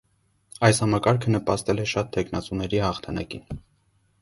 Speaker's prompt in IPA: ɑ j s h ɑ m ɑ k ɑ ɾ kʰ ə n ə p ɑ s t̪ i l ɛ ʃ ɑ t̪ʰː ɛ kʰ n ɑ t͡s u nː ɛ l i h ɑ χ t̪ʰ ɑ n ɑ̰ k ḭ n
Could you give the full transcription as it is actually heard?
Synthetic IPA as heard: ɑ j s h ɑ m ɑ k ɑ ɾ kʰ ə n ə p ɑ s t̪ ɛ l ɛ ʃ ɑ t̪ʰː ɛ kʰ n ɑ t͡s u n ɛ ɾ i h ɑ χ t̪ʰ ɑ n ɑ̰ k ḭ n